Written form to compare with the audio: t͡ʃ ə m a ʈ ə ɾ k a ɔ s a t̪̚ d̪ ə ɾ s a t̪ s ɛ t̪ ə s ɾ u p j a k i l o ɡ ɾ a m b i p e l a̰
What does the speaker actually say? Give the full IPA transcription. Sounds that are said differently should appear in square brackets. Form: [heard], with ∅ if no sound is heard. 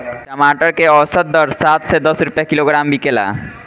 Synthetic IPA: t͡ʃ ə m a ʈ ə ɾ k [e] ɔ s [ə] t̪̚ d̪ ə ɾ s a t̪ s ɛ [d̪] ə s ɾ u p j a k i l o ɡ ɾ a m b i [k] e l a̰

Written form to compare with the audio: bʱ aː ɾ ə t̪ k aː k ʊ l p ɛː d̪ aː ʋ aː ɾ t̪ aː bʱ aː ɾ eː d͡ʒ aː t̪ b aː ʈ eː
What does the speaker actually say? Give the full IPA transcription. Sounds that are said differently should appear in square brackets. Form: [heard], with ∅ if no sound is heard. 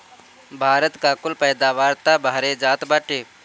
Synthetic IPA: bʱ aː ɾ ə t̪ k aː k ʊ l p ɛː d̪ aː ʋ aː ɾ t̪ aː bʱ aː ɾ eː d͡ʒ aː t̪ b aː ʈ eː

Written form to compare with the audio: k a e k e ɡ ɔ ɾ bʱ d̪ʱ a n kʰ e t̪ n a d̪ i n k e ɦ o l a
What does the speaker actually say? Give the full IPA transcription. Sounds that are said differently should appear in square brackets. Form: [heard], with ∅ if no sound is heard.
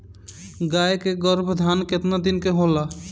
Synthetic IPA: [ɡ] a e k e ɡ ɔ ɾ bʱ d̪ʱ a n [k] e t̪ n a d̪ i n k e ɦ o l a

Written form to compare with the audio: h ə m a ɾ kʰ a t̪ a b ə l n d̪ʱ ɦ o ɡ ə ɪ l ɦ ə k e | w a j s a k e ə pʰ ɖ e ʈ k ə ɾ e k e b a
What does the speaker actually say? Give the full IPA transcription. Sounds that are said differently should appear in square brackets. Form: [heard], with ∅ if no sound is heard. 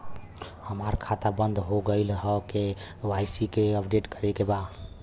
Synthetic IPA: h ə m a ɾ kʰ a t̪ a b ə [∅] n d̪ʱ ɦ o ɡ ə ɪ l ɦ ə k e | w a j s [i] k e ə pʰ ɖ e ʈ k ə ɾ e k e b a

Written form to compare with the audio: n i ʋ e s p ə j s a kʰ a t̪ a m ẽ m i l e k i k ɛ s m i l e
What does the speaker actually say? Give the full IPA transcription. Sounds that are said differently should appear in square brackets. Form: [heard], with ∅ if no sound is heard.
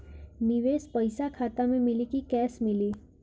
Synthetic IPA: n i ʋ e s p ə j s a kʰ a t̪ a m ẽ m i l [i] k i k ɛ s m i l [i]

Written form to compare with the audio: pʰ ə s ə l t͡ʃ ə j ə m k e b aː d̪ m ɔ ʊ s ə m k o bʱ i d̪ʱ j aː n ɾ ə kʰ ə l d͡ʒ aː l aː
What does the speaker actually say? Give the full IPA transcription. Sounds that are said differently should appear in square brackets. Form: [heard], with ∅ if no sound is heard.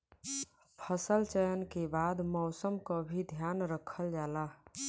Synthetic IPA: pʰ ə s ə l t͡ʃ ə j ə [n] k e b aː d̪ m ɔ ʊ s ə m k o bʱ i d̪ʱ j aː n ɾ ə kʰ ə l d͡ʒ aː l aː

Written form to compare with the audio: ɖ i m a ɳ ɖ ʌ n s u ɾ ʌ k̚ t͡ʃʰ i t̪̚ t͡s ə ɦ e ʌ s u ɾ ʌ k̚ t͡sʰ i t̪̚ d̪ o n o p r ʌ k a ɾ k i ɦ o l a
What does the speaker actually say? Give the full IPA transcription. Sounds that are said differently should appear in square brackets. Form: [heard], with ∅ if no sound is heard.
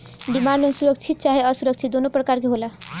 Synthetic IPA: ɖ i m a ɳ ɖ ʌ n s u ɾ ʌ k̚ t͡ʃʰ i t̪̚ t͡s [a] ɦ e ʌ s u ɾ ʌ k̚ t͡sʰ i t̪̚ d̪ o n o p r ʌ k a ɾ k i ɦ o l a

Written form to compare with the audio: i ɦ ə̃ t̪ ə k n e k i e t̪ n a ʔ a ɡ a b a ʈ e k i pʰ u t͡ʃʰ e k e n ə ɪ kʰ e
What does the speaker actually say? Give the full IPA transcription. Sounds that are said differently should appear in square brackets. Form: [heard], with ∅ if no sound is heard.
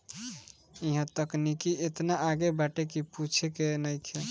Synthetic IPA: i ɦ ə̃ t̪ ə k n [i] k i e t̪ n a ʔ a ɡ [e] b a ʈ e k i [p] u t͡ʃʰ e k e n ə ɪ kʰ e

